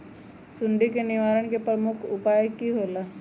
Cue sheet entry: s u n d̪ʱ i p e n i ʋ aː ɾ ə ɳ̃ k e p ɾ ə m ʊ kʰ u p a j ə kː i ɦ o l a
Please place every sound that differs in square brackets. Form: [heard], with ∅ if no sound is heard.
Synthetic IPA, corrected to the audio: s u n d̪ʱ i [k] e n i ʋ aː ɾ ə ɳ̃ k e p ɾ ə m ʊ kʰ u p a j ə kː i ɦ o l a